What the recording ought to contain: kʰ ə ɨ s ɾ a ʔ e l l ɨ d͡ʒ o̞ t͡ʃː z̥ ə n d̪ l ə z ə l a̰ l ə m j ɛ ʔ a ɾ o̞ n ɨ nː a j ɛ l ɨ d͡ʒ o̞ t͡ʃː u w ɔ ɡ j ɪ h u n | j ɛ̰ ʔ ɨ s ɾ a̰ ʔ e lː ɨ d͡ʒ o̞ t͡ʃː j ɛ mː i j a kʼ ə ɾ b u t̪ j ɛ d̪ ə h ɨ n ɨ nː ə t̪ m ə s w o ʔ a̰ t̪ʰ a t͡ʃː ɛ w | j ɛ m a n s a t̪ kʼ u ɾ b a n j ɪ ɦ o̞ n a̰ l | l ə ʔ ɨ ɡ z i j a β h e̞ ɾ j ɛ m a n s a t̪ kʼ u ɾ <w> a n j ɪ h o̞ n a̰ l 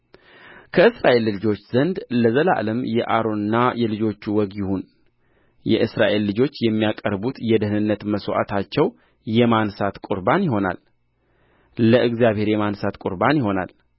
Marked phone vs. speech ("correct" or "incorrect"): incorrect